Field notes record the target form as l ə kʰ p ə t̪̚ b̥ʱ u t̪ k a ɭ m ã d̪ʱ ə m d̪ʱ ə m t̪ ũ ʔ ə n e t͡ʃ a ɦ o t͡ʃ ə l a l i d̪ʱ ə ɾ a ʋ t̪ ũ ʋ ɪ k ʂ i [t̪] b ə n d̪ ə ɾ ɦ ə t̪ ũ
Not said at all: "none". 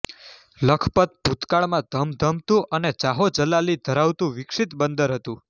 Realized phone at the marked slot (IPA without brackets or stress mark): t̪